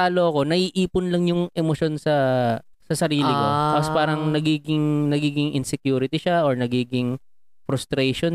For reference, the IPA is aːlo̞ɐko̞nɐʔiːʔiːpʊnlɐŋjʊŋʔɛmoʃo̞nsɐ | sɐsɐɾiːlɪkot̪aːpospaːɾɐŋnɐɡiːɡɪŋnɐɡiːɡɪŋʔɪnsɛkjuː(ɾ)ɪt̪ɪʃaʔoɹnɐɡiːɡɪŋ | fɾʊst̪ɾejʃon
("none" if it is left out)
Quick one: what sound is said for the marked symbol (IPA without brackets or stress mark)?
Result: ɾ